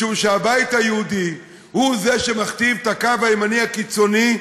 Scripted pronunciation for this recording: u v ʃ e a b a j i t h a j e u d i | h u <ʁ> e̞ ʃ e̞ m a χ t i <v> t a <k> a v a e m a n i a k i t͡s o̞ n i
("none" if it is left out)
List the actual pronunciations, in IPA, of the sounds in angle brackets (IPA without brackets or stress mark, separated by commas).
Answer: z, v, k